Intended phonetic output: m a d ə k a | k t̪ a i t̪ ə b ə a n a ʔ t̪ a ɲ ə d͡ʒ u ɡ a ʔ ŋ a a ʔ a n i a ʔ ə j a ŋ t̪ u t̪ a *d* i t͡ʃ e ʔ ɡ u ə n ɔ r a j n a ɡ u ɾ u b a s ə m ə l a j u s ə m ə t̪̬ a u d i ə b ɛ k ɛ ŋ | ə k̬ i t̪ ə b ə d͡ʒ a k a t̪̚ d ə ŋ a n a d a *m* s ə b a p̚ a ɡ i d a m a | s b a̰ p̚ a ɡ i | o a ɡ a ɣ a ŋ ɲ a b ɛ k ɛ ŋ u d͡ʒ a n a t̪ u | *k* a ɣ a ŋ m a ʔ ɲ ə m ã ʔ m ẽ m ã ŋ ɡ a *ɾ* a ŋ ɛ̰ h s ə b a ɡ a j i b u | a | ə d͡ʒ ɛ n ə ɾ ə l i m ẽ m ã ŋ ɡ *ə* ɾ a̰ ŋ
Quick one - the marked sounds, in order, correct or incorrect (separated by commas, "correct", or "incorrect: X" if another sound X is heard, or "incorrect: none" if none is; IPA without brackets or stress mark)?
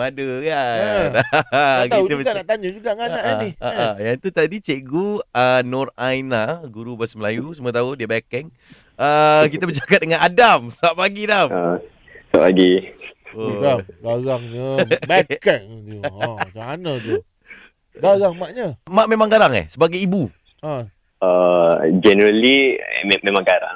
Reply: correct, correct, incorrect: ɡ, correct, incorrect: a